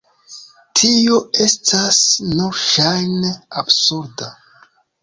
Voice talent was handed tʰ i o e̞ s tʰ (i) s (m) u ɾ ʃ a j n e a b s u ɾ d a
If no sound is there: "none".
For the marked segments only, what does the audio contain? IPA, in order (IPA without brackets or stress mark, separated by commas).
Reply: a, n